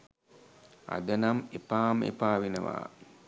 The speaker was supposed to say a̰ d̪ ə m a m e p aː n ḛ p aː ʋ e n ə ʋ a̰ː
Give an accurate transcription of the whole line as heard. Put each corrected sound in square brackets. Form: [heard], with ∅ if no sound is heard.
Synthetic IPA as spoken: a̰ d̪ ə [n] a m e p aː [m] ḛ p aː ʋ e n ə ʋ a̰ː